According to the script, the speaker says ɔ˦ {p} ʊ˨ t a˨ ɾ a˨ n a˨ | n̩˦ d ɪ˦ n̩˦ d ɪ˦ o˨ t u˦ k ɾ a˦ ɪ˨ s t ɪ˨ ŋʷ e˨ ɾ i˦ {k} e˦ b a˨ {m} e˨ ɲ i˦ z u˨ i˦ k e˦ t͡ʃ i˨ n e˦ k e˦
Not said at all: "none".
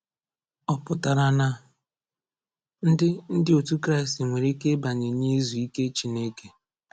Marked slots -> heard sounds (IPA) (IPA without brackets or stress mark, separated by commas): p, k, ɲ